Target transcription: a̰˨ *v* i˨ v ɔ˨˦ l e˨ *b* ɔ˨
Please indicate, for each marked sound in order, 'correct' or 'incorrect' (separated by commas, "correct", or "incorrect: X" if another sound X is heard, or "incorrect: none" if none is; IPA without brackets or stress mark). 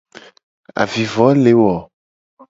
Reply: correct, incorrect: w